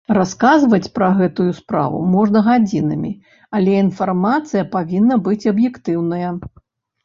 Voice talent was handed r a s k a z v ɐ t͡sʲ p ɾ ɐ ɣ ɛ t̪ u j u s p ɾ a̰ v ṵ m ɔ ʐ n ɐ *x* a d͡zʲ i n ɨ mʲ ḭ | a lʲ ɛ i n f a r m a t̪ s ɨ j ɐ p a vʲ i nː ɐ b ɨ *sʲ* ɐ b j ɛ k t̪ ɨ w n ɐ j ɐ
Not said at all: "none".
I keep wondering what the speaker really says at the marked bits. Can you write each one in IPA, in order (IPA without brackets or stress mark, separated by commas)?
ɣ, t͡sʲ